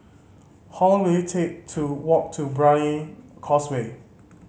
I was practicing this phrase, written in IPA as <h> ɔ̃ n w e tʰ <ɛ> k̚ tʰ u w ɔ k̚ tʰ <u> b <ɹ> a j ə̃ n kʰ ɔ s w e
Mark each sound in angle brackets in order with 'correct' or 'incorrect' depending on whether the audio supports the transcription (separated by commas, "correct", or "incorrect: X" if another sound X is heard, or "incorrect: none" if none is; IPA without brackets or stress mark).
correct, incorrect: e, correct, correct